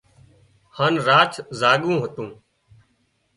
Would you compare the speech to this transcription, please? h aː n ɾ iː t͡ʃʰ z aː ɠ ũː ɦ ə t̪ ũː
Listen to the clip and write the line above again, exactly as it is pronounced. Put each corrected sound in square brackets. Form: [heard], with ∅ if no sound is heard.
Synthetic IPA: h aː n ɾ [aː] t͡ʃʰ z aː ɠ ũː ɦ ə t̪ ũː